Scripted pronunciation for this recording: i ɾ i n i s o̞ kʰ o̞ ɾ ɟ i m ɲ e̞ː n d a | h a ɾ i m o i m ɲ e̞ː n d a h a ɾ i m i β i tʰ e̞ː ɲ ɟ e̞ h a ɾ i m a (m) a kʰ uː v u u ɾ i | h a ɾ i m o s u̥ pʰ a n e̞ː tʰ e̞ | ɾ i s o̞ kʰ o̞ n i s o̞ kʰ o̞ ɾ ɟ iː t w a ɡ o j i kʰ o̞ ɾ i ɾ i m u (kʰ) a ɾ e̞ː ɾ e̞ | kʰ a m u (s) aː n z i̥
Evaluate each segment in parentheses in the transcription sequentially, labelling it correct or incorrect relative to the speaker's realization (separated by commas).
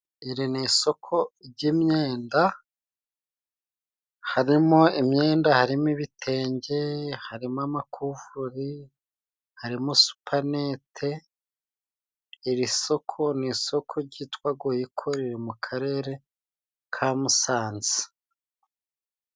correct, correct, correct